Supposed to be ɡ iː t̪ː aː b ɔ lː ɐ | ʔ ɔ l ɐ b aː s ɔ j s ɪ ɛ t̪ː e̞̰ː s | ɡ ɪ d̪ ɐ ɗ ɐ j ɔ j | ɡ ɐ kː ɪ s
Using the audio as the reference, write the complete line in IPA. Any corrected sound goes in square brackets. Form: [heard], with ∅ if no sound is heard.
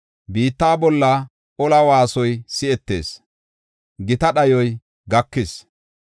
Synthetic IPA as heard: [b] iː t̪ː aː b ɔ lː ɐ | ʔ ɔ l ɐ [w] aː s ɔ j s ɪ ɛ t̪ː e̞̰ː s | ɡ ɪ [t̪] ɐ ɗ ɐ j ɔ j | ɡ ɐ kː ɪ s